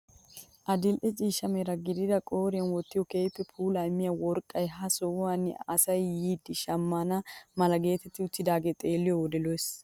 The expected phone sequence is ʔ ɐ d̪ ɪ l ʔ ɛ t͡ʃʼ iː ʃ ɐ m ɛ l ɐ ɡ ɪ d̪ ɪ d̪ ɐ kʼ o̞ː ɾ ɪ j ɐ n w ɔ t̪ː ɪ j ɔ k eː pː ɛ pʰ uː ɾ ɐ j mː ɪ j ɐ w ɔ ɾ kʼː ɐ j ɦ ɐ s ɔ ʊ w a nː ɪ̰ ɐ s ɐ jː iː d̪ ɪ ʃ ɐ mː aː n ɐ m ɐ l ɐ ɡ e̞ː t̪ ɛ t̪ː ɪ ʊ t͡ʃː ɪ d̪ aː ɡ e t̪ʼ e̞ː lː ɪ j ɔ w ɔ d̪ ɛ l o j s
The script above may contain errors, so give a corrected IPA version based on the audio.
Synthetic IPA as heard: ʔ ɐ d̪ ɪ l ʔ ɛ t͡ʃʼ iː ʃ ɐ m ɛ ɾ ɐ ɡ ɪ d̪ ɪ d̪ ɐ kʼ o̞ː ɾ ɪ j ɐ n w ɔ t̪ː ɪ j ɔ k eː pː ɛ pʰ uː l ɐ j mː ɪ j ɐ w ɔ ɾ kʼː ɐ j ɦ ɐ s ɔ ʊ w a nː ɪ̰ ɐ s ɐ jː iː d̪ ɪ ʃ ɐ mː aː n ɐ m ɐ l ɐ ɡ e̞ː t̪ ɛ t̪ː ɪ ʊ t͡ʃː ɪ d̪ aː ɡ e t̪ʼ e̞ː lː ɪ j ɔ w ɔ d̪ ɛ l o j s

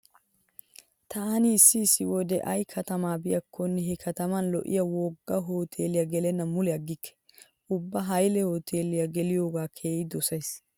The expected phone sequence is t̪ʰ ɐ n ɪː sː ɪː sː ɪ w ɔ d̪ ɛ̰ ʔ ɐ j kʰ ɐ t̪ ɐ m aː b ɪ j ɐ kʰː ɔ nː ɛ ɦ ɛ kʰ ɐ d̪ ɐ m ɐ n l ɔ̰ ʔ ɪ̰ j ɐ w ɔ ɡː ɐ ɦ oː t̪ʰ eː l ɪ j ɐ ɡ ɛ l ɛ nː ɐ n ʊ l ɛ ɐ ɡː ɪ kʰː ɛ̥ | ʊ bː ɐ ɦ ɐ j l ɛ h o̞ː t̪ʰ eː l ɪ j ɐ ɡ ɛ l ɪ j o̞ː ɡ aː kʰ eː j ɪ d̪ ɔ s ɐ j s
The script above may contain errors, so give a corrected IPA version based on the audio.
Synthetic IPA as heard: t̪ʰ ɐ n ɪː sː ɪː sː ɪ w ɔ d̪ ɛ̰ ʔ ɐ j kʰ ɐ t̪ ɐ m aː b ɪ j ɐ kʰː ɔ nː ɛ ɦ ɛ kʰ ɐ t̪ ɐ m ɐ n l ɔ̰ ʔ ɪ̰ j ɐ w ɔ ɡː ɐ ɦ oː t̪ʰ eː l ɪ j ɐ ɡ ɛ l ɛ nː ɐ m ʊ l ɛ ɐ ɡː ɪ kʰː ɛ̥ | ʊ bː ɐ ɦ ɐ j l ɛ h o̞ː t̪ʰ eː l ɪ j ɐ ɡ ɛ l ɪ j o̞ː ɡ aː kʰ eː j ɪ d̪ ɔ s ɐ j s

